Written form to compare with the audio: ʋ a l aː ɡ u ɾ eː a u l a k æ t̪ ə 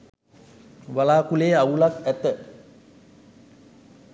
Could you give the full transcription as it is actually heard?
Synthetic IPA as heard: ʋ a l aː k u l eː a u l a k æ t̪ ə